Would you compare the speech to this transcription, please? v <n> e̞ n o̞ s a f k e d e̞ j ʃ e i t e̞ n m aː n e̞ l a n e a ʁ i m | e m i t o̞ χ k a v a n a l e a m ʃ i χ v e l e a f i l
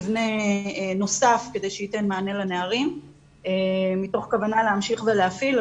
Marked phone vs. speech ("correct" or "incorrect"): correct